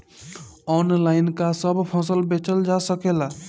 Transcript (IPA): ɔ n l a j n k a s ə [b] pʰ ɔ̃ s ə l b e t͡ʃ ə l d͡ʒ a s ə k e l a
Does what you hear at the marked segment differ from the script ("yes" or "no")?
no